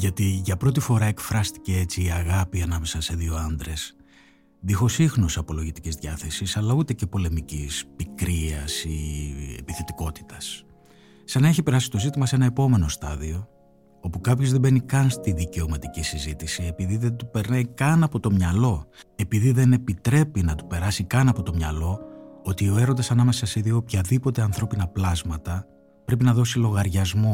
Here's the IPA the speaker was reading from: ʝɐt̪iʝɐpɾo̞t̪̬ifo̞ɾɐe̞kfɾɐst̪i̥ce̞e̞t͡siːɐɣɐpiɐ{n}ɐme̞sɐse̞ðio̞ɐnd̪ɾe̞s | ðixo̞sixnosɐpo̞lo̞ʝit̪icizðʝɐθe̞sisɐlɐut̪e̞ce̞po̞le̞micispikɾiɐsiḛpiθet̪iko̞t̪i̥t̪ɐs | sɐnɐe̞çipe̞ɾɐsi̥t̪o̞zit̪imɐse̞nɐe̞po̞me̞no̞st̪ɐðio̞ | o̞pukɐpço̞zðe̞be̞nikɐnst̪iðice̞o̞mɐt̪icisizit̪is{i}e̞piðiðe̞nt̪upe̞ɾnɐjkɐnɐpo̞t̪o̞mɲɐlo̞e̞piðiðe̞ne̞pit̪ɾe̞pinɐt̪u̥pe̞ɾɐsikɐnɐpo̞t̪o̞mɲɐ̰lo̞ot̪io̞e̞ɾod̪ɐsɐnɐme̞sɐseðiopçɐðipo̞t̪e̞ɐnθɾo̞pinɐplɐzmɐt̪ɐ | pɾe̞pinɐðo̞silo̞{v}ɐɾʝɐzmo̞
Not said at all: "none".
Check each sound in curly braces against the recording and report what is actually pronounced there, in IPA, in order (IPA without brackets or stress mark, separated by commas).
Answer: n, i, ɣ